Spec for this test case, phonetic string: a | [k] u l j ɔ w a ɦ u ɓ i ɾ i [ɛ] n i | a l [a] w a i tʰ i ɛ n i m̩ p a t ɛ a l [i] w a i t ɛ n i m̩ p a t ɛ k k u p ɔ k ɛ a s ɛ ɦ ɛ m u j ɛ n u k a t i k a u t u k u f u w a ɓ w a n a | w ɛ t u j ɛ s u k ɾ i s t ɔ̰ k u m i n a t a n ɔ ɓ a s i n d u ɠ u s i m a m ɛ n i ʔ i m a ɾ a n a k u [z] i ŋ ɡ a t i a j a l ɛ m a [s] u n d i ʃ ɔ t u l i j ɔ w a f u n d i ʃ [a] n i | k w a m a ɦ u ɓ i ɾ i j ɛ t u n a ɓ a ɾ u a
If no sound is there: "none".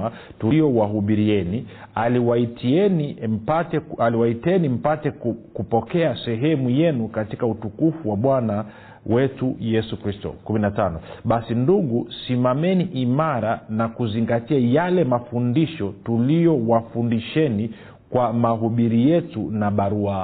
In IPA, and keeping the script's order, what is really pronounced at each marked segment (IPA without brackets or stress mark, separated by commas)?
t, ɛ, i, i, z, f, ɛ